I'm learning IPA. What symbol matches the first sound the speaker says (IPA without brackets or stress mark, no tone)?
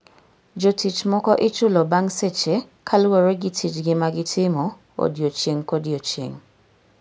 d͡ʒ